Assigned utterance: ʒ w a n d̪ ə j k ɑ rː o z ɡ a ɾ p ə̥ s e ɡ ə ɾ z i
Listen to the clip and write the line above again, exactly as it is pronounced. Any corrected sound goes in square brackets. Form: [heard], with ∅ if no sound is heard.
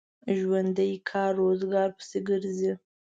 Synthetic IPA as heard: ʒ w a n d̪ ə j [kʰ] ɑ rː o z ɡ [ɑ] ɾ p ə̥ s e ɡ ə ɾ z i